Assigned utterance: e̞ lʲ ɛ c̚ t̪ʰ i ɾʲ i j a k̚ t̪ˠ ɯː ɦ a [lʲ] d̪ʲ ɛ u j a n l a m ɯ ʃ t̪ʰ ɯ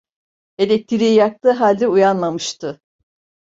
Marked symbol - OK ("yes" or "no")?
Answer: yes